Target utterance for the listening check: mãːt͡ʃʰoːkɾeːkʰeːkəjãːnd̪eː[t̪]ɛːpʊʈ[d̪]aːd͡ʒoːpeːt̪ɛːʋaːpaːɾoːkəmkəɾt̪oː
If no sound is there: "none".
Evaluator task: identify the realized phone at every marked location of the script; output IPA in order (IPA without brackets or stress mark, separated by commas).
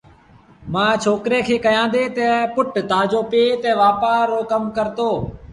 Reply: t̪, t̪